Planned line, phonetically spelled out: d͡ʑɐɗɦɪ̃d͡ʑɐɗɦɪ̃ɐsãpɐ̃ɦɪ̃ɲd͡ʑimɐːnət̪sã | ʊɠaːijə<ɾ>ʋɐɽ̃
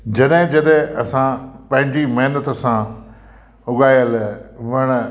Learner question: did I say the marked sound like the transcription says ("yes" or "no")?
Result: no